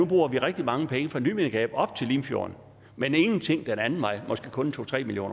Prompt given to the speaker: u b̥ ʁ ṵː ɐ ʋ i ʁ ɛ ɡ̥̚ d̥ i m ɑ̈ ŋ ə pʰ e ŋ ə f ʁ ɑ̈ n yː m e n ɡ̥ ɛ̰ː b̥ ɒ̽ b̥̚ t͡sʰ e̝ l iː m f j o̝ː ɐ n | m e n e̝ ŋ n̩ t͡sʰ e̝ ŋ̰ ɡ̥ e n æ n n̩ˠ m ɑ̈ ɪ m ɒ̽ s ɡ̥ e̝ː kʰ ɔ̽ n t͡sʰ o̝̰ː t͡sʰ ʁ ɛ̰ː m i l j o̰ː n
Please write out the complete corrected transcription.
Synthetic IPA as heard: u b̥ ʁ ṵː ɐ ʋ i ʁ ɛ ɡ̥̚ d̥ i m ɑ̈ ŋ ə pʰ e ŋ ə f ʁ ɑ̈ n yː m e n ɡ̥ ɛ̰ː b̥ ɒ̽ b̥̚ t͡sʰ e̝ l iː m f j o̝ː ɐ n | m e n e̝ ŋ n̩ t͡sʰ e̝ ŋ̰ d̥ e n æ n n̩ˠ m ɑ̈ ɪ m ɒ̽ s ɡ̥ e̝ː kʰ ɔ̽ n t͡sʰ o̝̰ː t͡sʰ ʁ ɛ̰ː m i l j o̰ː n